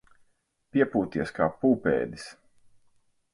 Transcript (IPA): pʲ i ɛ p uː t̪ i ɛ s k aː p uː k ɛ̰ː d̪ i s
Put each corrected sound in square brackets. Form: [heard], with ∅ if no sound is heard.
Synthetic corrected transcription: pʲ i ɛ p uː t̪ i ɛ s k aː p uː [p] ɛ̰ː d̪ i s